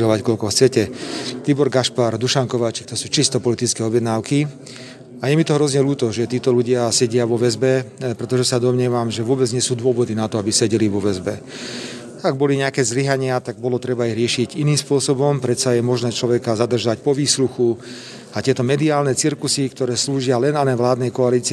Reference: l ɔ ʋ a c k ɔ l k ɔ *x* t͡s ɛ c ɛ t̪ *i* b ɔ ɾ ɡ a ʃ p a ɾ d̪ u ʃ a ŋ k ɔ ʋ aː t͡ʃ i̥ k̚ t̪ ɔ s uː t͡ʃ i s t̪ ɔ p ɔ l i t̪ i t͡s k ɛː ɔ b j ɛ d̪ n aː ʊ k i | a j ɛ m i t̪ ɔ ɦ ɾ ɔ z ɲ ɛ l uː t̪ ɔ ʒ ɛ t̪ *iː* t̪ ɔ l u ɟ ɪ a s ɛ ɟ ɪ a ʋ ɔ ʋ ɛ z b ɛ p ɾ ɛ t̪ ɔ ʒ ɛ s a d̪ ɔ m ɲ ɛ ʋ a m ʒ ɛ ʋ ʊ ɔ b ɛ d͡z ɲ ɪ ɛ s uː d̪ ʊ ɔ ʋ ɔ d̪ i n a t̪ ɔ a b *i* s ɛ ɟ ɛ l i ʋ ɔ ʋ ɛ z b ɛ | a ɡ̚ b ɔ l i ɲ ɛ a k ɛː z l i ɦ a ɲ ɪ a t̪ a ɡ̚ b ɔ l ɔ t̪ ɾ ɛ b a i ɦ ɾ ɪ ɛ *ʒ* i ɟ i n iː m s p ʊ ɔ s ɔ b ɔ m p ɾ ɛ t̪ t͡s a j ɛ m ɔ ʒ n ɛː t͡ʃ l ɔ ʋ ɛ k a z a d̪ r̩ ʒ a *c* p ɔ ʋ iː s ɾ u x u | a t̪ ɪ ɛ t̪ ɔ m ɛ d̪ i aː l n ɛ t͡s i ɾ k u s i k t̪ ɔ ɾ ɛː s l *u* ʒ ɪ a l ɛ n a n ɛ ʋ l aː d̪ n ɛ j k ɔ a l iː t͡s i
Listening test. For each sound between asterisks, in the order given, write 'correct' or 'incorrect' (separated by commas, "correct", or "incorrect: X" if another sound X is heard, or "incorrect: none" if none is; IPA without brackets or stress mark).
correct, correct, correct, correct, incorrect: ʃ, correct, incorrect: uː